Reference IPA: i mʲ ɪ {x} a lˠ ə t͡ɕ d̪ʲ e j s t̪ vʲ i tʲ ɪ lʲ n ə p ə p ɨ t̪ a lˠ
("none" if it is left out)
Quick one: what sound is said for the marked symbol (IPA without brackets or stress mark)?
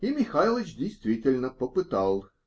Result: x